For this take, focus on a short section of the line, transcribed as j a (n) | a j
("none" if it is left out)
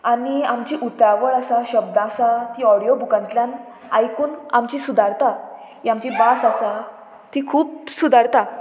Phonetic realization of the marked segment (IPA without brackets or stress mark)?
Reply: n